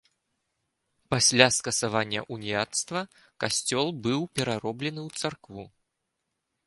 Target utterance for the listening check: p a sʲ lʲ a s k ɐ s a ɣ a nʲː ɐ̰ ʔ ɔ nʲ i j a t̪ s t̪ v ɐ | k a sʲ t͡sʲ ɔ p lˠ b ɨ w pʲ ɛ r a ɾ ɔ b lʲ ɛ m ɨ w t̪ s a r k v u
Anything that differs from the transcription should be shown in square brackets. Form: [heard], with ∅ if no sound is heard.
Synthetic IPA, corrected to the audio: p a sʲ lʲ a s k ɐ s a [v] a nʲː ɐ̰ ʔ [u] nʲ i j a t̪ s t̪ v ɐ | k a sʲ t͡sʲ ɔ [∅] lˠ b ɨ w pʲ ɛ [ɾ] a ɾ ɔ b lʲ ɛ [n] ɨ w t̪ s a r k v u